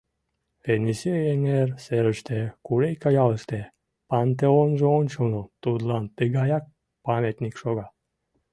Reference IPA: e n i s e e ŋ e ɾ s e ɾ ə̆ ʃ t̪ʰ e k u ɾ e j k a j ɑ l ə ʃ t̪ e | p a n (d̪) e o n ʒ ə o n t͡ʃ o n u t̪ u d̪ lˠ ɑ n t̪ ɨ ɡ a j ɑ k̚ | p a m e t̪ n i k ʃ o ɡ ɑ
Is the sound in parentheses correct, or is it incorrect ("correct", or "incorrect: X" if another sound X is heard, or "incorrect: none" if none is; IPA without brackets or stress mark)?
incorrect: t̪